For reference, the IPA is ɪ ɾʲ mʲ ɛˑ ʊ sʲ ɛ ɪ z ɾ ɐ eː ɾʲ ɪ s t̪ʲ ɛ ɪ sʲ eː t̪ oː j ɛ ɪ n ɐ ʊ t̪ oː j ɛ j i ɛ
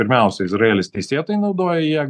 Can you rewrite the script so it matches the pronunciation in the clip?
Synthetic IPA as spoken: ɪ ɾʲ mʲ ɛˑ ʊ sʲ ɛ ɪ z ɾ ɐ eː lʲ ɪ s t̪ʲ ɛ ɪ sʲ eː t̪ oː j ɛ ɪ n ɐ ʊ d̪ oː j ɛ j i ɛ